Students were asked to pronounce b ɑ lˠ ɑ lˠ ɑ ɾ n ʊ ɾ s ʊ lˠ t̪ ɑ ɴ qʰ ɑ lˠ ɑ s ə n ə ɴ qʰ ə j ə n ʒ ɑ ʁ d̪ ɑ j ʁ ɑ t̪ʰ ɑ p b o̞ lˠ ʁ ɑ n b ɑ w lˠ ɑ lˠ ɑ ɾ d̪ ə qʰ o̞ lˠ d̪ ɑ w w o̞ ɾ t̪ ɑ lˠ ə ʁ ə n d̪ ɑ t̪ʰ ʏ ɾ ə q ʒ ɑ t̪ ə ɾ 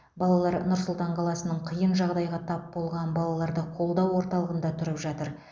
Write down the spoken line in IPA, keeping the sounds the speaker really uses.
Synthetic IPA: b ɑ lˠ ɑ lˠ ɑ ɾ n ʊ ɾ s ʊ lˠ t̪ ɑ ɴ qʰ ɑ lˠ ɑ s ə n ə ɴ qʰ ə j ə n ʒ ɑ ʁ d̪ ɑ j ʁ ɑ t̪ʰ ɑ p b o̞ lˠ ʁ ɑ n b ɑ lˠ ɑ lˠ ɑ ɾ d̪ ə qʰ o̞ lˠ d̪ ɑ w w o̞ ɾ t̪ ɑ lˠ ə ʁ ə n d̪ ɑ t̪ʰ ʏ ɾ ə p ʒ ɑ t̪ ə ɾ